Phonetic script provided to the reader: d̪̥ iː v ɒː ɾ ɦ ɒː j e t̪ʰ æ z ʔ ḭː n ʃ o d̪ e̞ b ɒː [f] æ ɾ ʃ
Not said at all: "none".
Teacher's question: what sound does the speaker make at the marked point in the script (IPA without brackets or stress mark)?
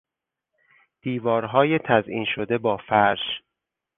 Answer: f